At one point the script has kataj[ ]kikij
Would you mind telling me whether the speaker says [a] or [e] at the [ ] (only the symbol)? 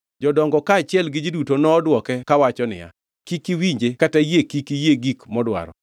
e